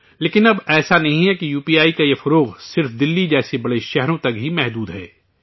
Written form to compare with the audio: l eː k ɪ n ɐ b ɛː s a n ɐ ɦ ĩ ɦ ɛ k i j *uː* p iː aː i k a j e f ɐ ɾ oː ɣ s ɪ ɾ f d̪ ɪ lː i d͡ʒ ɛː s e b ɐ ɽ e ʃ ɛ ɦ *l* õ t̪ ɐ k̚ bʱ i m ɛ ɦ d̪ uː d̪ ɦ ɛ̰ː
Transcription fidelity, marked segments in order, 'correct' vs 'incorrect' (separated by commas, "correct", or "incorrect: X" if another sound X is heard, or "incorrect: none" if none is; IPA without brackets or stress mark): correct, incorrect: ɾ